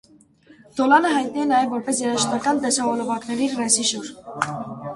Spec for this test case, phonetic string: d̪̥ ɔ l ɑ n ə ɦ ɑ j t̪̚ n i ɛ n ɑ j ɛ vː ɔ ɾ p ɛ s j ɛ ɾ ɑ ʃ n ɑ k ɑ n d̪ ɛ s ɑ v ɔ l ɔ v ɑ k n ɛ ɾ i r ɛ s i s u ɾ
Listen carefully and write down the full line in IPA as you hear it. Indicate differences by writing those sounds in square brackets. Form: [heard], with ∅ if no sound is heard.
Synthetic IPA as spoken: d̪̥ ɔ l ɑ n ə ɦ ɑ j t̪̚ n i ɛ n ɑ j ɛ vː ɔ ɾ p ɛ s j ɛ ɾ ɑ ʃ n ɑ k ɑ n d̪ ɛ s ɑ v ɔ l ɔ v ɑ k n ɛ ɾ i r ɛ s i [ʃ] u ɾ